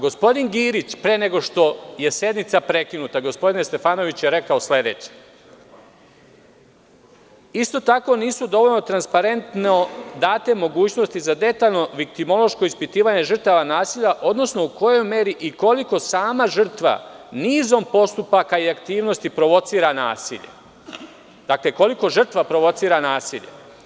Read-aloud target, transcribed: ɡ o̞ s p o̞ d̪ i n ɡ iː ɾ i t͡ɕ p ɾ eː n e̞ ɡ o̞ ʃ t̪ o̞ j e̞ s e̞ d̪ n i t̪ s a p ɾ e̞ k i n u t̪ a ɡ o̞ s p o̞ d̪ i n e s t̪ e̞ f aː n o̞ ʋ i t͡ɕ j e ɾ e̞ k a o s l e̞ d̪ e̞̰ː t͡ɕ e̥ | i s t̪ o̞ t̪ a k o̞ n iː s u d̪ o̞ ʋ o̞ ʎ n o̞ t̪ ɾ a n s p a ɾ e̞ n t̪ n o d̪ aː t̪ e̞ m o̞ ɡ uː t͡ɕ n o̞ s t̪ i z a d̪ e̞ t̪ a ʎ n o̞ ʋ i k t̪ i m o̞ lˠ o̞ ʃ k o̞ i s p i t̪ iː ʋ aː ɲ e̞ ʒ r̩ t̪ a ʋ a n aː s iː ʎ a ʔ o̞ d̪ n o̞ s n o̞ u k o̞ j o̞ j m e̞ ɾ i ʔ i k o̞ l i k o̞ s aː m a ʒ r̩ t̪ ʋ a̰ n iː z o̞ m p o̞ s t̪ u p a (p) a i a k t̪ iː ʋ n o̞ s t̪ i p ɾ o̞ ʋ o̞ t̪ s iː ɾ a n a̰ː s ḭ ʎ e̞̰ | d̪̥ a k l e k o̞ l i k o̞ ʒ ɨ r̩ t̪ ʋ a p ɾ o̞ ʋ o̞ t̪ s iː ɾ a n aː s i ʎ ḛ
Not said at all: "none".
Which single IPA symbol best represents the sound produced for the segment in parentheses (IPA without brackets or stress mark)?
k